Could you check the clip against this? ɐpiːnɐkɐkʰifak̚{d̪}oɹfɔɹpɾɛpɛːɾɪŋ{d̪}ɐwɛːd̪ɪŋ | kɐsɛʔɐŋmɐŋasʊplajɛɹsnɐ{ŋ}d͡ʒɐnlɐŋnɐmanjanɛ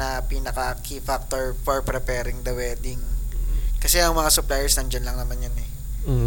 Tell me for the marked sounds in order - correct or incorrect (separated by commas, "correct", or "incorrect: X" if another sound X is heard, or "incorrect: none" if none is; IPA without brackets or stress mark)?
incorrect: t̪, correct, incorrect: n